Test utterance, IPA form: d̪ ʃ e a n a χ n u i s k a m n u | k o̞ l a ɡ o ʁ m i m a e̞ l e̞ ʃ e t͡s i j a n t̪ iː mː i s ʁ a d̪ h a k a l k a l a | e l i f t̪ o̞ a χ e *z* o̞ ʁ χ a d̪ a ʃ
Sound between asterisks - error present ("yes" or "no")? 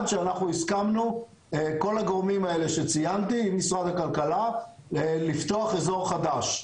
no